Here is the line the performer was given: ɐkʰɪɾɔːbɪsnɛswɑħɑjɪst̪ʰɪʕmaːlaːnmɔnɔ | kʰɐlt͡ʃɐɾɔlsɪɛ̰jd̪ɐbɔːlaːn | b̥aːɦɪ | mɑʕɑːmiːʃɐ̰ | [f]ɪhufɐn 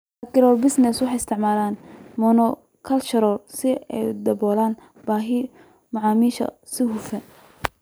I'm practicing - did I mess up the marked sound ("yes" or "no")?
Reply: yes